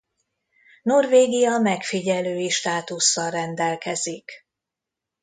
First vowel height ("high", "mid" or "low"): mid